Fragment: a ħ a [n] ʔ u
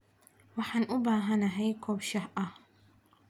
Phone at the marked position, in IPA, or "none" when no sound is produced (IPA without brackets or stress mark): n